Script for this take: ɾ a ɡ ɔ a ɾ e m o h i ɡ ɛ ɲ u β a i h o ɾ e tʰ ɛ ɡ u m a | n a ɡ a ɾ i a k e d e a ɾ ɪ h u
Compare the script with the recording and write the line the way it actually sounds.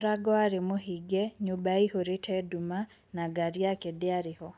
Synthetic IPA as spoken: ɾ a ɡ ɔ a ɾ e m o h i ɡ ɛ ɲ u b a i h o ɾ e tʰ ɛ d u m a | n a ɡ a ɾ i a k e d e a ɾ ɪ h ɔ